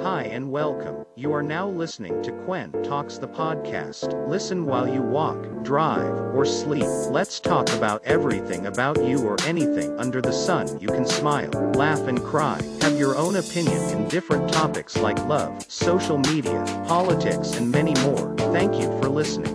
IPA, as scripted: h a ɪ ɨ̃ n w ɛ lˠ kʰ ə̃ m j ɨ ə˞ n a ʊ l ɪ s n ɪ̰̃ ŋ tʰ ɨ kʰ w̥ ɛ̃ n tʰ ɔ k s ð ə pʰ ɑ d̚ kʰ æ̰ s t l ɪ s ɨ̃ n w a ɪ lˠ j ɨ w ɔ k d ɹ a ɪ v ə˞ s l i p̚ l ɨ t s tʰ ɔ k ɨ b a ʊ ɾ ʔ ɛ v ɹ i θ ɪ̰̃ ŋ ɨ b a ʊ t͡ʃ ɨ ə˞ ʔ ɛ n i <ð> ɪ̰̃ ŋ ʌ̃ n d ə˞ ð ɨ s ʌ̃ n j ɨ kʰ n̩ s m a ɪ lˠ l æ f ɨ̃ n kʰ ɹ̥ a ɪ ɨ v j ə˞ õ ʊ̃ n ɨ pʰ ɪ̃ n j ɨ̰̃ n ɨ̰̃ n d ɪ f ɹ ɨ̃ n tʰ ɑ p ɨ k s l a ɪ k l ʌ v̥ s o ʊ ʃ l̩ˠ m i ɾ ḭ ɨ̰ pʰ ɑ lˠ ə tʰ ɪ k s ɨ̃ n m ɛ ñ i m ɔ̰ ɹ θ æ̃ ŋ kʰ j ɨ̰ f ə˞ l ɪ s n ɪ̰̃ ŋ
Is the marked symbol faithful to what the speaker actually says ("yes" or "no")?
no